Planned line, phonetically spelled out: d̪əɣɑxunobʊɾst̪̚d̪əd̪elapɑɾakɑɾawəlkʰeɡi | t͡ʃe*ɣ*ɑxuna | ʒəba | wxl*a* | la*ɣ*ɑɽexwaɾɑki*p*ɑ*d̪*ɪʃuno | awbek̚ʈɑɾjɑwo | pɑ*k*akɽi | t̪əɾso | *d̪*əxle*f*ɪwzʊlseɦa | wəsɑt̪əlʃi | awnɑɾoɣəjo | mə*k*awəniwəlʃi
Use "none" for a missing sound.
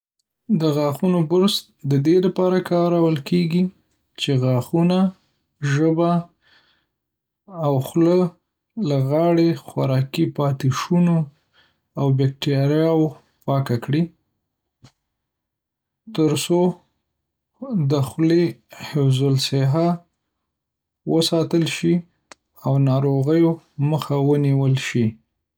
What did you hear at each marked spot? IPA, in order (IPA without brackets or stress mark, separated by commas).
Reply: ɣ, ə, ɣ, p, t̪, k, d̪, h, x